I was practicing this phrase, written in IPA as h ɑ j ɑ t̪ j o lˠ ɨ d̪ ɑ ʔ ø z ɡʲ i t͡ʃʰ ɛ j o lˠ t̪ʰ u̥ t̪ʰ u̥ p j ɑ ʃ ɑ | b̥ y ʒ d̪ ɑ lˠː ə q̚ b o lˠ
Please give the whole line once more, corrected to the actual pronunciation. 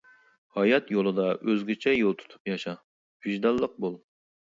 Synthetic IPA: h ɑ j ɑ t̪ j o lˠ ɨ d̪ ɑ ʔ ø z ɡʲ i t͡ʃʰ ɛ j o lˠ t̪ʰ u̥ t̪ʰ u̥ p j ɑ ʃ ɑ | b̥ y ʒ d̪ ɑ lˠː ə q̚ b o lˠ